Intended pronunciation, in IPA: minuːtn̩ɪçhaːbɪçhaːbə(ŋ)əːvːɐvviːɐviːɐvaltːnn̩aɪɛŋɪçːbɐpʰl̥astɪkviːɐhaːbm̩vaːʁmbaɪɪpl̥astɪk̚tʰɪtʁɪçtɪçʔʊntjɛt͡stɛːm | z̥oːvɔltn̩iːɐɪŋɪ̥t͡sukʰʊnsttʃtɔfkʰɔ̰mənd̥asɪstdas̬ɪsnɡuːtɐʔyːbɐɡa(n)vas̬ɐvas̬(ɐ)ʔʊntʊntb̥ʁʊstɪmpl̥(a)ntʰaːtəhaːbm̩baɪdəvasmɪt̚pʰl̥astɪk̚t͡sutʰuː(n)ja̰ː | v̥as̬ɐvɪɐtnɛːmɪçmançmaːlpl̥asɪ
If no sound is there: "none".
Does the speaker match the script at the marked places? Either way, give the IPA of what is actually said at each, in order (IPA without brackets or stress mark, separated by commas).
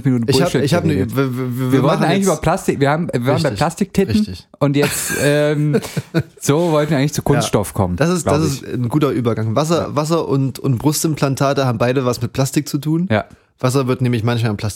n, ŋ, ɐ, a, n